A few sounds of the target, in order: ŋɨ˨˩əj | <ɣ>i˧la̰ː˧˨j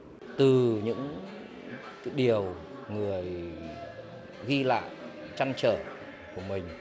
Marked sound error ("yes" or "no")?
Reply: no